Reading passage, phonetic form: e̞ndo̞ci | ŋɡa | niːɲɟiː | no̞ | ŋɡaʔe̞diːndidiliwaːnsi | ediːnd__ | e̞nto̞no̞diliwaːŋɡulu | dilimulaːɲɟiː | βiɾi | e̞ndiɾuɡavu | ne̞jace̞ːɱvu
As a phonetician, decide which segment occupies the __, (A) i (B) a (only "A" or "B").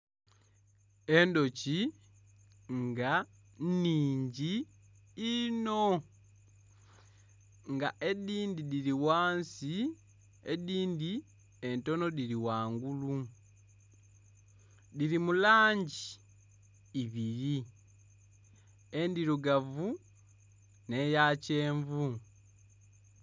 A